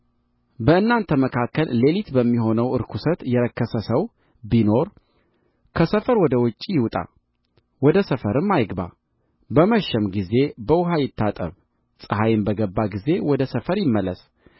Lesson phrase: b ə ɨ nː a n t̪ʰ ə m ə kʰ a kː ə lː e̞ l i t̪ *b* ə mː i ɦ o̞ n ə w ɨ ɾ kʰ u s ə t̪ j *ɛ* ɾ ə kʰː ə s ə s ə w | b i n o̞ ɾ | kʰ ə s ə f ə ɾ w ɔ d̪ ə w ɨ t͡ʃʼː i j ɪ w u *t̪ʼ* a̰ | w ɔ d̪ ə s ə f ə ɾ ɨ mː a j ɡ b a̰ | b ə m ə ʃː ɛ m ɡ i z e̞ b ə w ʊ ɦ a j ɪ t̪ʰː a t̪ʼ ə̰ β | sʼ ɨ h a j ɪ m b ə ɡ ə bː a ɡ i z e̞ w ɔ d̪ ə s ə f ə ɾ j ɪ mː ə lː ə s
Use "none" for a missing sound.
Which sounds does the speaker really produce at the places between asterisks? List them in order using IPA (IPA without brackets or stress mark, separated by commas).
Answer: b, ɛ, t̪ʼ